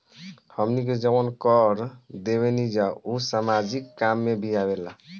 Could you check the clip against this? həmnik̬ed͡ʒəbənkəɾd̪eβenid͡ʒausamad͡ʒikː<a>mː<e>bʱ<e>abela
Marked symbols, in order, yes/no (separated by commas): yes, yes, no